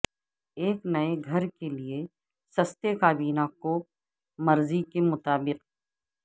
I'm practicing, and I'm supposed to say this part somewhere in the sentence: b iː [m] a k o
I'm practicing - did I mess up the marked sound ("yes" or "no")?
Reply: yes